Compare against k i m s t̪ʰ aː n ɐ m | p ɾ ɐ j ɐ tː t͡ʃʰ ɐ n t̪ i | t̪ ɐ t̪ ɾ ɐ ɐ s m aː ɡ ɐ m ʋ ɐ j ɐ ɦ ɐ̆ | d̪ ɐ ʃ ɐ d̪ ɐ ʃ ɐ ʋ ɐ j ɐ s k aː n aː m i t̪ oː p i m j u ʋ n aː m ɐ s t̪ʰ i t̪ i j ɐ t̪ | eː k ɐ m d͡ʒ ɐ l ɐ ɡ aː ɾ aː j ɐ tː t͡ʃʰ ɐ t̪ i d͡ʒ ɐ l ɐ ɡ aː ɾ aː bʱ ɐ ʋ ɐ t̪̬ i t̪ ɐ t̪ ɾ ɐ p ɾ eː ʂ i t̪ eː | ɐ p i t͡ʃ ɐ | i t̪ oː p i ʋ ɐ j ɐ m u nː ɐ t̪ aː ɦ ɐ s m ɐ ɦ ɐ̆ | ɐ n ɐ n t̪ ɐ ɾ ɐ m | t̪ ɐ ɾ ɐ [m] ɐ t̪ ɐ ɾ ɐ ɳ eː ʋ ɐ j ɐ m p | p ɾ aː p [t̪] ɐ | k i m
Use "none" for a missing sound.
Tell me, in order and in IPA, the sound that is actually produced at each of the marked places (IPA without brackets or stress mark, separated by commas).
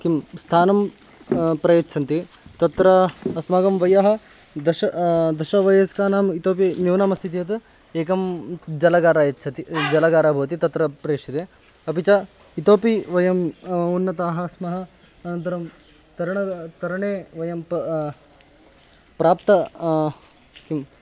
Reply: ɳ, t̪